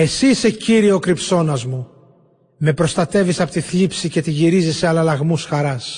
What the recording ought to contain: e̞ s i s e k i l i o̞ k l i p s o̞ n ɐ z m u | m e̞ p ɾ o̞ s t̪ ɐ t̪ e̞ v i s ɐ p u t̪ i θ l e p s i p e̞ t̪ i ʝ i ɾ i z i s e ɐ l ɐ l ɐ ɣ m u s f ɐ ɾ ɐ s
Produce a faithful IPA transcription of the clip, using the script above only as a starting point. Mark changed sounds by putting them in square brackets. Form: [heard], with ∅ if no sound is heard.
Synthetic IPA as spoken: e̞ s i s e [c] i [ɾ] i o̞ k [ɾ] i p s o̞ n ɐ z m u | m e̞ p ɾ o̞ s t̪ ɐ t̪ e̞ v i s ɐ p [o] t̪ i θ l [i] p s i [c] e̞ t̪ i ʝ i ɾ i z i s e ɐ l ɐ l ɐ ɣ m u s [x] ɐ ɾ ɐ s